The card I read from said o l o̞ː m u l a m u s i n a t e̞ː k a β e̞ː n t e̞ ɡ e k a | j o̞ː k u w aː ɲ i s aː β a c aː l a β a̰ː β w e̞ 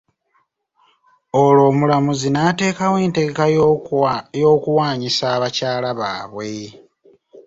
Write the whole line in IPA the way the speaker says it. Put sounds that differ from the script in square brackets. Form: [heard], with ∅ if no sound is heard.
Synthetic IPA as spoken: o l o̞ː m u l a m u [z] i n a t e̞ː k a [w] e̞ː n t e̞ ɡ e k a | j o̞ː k u w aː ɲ i s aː β a c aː l a β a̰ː β w e̞

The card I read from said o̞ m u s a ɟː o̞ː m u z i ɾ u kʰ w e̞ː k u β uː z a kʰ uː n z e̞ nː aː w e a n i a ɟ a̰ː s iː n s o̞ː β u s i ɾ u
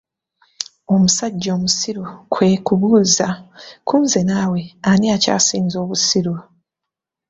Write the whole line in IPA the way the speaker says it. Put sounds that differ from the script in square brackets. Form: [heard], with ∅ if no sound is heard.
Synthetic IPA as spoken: o̞ m u s a ɟː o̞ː m u [s] i ɾ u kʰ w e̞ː k u β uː z a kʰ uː n z e̞ [n] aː w e a n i a [c] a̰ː s iː n [z] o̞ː β u s i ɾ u

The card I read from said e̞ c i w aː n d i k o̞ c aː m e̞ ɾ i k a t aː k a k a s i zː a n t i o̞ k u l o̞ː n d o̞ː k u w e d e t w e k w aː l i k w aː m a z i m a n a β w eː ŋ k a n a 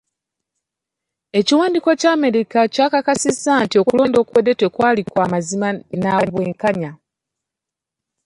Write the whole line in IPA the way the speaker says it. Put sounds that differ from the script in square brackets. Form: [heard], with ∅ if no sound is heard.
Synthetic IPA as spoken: e̞ c i w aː n d i k o̞ c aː m e̞ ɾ i k a [c] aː k a k a s i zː a n t i o̞ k u l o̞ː n d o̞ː k u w e d e t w e k w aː l i k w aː m a z i m a n a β w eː ŋ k a [ɲ] a

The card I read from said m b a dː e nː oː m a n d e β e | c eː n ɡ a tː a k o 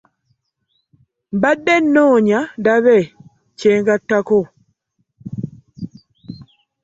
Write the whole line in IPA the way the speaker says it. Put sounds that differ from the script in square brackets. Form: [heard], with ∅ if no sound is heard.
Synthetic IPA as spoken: m b a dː e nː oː [ɲ] a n d [a] β e | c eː [ŋ] ɡ a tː a k o

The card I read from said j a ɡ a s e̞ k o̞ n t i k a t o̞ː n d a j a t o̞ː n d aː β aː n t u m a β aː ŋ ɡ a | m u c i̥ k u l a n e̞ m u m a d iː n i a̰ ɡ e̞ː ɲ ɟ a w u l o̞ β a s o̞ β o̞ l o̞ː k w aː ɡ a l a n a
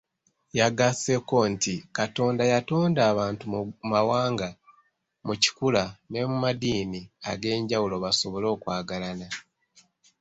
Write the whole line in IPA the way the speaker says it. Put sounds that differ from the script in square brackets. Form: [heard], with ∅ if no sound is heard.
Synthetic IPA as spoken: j a ɡ a s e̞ k o̞ n t i k a t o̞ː n d a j a t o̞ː n d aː β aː n t u m a [w] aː ŋ ɡ a | m u c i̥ k u l a n e̞ m u m a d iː n i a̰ ɡ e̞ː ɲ ɟ a w u l o̞ β a s o̞ β o̞ l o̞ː k w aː ɡ a l a n a

